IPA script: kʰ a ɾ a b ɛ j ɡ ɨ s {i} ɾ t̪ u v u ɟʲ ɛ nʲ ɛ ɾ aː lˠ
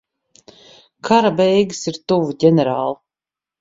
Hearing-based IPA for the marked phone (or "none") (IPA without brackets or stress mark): i